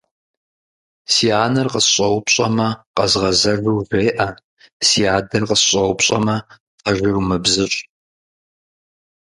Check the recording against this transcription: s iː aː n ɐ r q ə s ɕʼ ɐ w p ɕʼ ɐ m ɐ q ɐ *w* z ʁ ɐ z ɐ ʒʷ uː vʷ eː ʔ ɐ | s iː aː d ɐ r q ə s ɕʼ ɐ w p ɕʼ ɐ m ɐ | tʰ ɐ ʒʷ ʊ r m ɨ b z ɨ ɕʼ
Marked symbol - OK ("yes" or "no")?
no